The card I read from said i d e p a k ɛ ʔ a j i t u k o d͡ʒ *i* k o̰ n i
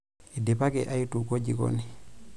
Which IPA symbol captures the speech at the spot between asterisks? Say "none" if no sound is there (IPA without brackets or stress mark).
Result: i